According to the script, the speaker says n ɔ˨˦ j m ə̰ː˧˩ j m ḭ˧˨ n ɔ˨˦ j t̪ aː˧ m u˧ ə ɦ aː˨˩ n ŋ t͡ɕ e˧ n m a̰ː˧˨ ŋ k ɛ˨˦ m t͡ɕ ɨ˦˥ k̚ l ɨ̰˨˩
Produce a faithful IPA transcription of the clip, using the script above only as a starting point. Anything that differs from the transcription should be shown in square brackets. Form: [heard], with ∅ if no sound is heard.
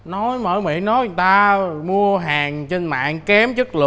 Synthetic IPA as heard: n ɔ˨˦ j m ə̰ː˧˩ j m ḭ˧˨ n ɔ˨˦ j t̪ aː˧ m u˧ ə ɦ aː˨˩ [∅] ŋ t͡ɕ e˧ n m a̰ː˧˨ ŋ k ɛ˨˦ m t͡ɕ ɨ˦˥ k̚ l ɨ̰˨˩